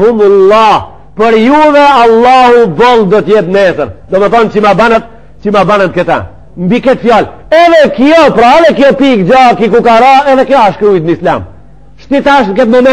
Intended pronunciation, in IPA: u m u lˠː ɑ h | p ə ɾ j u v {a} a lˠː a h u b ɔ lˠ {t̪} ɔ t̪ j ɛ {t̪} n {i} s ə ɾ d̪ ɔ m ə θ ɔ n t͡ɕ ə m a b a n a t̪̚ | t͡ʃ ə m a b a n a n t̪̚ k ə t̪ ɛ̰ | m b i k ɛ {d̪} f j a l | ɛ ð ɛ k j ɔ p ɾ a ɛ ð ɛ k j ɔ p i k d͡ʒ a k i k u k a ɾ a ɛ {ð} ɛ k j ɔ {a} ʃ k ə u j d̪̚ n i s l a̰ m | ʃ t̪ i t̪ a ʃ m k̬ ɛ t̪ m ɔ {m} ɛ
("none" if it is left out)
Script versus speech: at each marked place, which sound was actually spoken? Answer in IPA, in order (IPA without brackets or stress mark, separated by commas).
ɛ, d̪, t̪, ɛ, t̪, ð, a, m